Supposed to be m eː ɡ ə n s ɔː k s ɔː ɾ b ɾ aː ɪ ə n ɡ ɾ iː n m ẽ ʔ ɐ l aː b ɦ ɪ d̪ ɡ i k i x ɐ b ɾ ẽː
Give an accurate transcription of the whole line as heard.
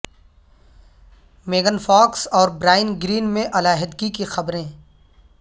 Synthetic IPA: m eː ɡ ə n f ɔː k s ɔː ɾ b ɾ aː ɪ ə n ɡ ɾ iː n m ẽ ʔ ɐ l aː ɦ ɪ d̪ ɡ i k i x ɐ b ɾ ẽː